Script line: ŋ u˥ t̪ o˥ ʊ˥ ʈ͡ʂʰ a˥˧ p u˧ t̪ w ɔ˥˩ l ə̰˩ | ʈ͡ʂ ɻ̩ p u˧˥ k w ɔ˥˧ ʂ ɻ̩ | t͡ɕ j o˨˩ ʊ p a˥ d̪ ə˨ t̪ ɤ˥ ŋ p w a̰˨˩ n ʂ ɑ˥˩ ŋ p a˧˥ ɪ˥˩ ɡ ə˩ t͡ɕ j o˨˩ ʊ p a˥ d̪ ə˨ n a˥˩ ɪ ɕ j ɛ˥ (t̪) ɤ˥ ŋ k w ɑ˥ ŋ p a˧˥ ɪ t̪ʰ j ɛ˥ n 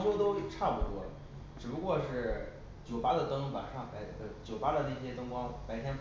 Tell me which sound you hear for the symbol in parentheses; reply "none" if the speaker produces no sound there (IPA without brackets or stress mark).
t̪